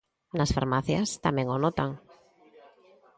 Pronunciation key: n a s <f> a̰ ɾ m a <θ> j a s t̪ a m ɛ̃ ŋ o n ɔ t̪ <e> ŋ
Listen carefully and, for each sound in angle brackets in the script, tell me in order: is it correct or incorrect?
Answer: correct, correct, incorrect

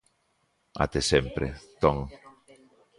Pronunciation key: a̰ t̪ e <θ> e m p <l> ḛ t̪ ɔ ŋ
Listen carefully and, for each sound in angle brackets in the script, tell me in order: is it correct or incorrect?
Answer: incorrect, incorrect

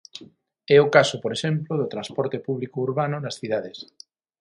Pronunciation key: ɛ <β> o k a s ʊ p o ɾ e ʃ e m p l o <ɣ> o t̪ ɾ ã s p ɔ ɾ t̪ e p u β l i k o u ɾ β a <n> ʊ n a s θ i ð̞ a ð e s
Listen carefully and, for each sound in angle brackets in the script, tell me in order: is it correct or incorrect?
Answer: incorrect, incorrect, correct

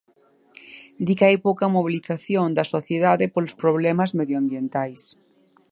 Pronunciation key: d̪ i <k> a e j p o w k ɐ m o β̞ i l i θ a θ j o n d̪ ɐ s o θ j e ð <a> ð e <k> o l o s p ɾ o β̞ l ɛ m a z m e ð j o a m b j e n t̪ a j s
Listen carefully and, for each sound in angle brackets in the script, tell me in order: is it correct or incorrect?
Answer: correct, correct, incorrect

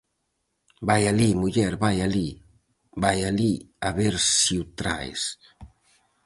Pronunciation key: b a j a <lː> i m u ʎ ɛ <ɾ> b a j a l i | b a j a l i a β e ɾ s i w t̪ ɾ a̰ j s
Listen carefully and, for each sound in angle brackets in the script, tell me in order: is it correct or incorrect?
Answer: incorrect, correct

